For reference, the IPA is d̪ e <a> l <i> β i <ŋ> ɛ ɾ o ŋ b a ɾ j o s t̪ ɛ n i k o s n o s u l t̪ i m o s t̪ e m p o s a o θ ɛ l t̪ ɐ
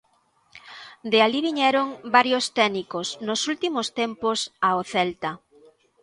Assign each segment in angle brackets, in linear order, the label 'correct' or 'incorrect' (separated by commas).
correct, correct, incorrect